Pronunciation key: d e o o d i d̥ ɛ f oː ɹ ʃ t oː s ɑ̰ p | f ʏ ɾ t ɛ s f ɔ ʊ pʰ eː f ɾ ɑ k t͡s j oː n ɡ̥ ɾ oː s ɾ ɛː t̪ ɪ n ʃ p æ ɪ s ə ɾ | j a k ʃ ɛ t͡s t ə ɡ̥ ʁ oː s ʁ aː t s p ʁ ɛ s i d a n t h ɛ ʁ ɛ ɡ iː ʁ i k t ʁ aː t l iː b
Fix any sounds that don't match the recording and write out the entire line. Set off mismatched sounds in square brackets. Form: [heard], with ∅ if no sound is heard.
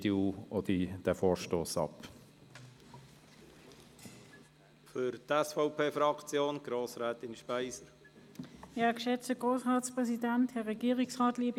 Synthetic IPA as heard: d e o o d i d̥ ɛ f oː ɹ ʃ t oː s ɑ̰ p | f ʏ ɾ t ɛ s f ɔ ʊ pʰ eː f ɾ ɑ k t͡s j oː n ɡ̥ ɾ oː s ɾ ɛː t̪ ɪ n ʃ p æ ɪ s ə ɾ | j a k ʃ ɛ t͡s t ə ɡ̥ ʁ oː s ʁ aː t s p ʁ ɛ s i d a n t h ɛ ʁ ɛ ɡ iː ʁ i k [s] ʁ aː t l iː b

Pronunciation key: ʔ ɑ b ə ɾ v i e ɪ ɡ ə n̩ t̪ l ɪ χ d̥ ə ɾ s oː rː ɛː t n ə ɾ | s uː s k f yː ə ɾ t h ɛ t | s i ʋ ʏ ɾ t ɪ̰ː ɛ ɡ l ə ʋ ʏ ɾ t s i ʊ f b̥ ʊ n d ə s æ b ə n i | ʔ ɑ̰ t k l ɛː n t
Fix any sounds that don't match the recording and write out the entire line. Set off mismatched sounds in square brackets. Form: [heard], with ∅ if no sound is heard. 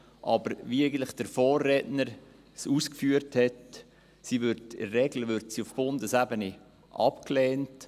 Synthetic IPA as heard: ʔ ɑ b ə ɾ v i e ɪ ɡ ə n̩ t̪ l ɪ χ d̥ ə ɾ [f] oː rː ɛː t n ə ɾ | s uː s k f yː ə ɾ t h ɛ t | s i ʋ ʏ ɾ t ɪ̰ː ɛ ɡ l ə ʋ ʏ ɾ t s i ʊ f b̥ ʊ n d ə s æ b ə n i | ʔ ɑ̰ [p] k l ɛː n t

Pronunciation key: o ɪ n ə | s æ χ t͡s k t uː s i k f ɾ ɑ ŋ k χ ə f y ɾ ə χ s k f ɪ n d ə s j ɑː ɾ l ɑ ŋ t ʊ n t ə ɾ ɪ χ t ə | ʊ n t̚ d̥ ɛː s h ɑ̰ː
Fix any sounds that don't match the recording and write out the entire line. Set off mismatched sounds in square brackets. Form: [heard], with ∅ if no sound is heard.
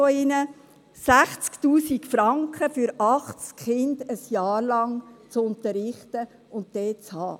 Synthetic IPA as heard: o ɪ n ə | s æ χ t͡s k t uː s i k f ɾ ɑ ŋ k χ ə f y ɾ [ɑ] χ [t͡s] k [χ] ɪ n d ə s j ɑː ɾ l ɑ ŋ [t͡s] ʊ n t ə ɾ ɪ χ t ə | ʊ n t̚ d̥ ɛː [t͡s] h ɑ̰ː

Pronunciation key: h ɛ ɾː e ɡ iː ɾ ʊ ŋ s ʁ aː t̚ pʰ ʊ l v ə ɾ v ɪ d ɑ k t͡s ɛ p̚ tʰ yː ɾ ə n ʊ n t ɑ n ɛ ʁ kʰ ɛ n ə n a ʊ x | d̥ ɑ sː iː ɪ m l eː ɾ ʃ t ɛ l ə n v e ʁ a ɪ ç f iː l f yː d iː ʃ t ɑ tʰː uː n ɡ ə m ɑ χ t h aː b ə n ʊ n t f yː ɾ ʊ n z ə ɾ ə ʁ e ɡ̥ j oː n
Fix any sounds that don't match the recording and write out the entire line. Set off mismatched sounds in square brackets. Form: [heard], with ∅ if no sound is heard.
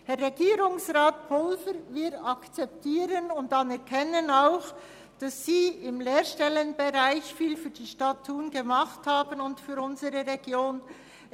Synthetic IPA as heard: h ɛ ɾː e ɡ iː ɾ ʊ ŋ s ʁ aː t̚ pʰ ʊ l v ə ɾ v ɪ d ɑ k t͡s ɛ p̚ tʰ [iː] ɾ ə n ʊ n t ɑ n ɛ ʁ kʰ ɛ n ə n a ʊ x | d̥ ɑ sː iː ɪ m l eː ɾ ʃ t ɛ l ə n [b] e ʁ a ɪ ç f iː l f yː d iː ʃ t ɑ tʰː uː n ɡ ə m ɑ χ t h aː b ə n ʊ n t f yː ɾ ʊ n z ə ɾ ə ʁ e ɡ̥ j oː n

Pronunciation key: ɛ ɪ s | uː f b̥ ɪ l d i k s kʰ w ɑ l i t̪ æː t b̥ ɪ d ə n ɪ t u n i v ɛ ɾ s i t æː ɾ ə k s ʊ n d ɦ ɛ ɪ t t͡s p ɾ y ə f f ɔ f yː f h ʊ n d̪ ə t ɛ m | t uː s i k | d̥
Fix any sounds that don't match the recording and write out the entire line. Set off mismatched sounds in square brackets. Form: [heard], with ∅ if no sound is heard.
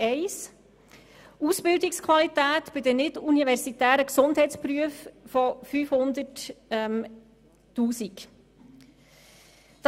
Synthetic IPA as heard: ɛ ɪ s | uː [s] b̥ ɪ l d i k s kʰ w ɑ l i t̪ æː t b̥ ɪ d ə n ɪ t u n i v ɛ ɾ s i t æː ɾ ə k s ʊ n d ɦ ɛ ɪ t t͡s p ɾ y ə f f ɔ f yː f h ʊ n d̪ ə t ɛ m | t uː s i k | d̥

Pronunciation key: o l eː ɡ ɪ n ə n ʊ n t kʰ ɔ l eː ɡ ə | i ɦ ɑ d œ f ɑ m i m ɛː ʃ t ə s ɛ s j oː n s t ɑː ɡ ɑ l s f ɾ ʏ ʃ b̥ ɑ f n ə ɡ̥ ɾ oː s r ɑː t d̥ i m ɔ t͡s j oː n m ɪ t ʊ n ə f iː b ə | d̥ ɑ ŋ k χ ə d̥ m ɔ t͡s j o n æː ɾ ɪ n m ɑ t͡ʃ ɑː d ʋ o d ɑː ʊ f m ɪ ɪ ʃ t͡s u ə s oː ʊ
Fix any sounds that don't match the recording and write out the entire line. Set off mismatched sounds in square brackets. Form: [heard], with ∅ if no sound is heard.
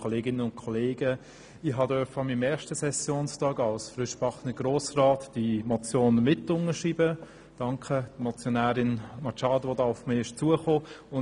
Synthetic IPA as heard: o l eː ɡ ɪ n ə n ʊ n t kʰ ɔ l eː ɡ ə | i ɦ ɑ d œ f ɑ m i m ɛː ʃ t ə s ɛ s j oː n s t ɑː ɡ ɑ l s f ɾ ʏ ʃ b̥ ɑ [χ] n ə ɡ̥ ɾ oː s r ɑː t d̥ i m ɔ t͡s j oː n m ɪ t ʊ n ə [ʃ] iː b ə | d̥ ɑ ŋ k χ ə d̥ m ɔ t͡s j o n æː ɾ ɪ n m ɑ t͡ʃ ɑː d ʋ o d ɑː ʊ f m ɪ ɪ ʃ t͡s u ə [χ] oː ʊ

